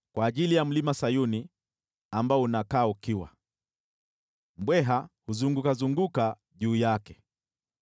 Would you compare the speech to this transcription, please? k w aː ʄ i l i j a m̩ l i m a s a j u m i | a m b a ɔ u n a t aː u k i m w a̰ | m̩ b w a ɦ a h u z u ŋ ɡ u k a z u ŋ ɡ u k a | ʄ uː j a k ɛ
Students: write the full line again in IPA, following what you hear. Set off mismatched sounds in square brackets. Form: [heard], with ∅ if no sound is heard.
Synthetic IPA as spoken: k w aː ʄ i l i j a m̩ l i m a s a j u [n] i | a m b a ɔ u n a [k] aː u k i [∅] w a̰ | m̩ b w [ɛ] ɦ a h u z u ŋ ɡ u k a z u ŋ ɡ u k a | ʄ uː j a k ɛ